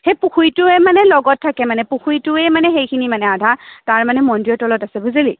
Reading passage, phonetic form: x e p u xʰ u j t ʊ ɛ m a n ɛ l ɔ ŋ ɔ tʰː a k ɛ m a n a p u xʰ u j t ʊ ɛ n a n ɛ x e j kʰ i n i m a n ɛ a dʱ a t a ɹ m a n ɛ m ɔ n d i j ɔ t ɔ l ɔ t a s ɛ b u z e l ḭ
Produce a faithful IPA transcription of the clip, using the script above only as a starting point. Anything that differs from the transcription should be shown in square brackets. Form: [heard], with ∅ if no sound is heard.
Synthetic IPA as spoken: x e p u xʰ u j t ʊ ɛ m a n ɛ l ɔ [ɡ] ɔ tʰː a k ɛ m a n [ɛ] p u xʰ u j t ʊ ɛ [m] a n ɛ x e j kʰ i n i m a n ɛ a dʱ a t a ɹ m a n ɛ m ɔ n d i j ɔ t ɔ l ɔ t a s ɛ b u z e l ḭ